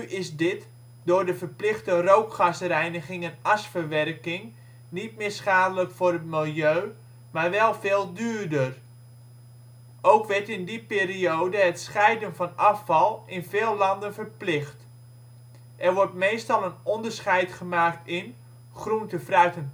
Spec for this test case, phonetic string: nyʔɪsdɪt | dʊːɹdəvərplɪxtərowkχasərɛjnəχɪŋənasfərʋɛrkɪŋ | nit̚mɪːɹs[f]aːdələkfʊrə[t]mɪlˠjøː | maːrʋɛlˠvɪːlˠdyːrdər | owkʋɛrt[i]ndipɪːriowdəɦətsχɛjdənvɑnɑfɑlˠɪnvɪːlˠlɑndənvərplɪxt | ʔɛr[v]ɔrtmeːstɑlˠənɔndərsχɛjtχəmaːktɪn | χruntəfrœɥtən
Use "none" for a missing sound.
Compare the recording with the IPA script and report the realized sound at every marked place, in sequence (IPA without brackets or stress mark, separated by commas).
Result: χ, t, ɪ, ʋ